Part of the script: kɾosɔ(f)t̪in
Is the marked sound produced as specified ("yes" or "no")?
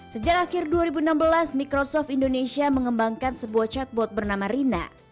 yes